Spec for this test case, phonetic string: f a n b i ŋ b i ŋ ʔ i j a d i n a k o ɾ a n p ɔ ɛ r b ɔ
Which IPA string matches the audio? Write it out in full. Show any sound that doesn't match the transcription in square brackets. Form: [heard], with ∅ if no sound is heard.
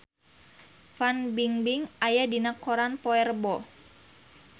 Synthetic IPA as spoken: f a n b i ŋ b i ŋ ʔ [a] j a d i n a k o ɾ a n p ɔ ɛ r b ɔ